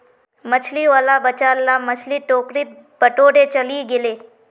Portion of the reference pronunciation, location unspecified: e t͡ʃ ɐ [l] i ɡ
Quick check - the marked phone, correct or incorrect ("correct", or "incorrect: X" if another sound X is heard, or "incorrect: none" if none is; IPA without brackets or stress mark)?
correct